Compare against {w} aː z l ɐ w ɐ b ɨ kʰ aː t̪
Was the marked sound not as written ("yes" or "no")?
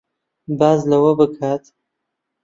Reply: yes